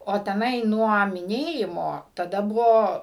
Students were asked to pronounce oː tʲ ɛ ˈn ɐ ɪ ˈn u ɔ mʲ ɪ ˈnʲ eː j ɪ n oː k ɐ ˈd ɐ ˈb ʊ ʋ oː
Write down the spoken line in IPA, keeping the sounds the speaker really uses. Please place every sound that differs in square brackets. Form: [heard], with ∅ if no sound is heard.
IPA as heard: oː tʲ ɛ ˈn ɐ ɪ ˈn u ɔ mʲ ɪ ˈnʲ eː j ɪ [m] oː [t] ɐ ˈd ɐ ˈb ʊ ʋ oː